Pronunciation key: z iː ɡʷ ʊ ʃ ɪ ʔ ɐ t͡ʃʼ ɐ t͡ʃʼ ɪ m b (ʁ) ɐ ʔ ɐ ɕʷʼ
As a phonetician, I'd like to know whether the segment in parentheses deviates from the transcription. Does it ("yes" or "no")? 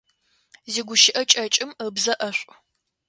yes